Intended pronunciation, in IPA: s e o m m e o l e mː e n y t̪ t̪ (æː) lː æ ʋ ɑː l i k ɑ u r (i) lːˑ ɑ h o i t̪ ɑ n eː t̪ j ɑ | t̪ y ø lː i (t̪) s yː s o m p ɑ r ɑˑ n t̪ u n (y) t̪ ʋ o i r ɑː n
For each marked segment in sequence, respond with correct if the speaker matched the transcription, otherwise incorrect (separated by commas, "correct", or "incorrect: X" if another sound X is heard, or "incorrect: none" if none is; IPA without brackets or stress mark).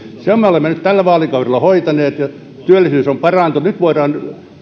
incorrect: æ, incorrect: e, incorrect: none, correct